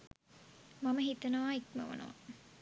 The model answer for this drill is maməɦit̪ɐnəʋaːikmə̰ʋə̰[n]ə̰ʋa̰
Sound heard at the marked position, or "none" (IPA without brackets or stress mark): n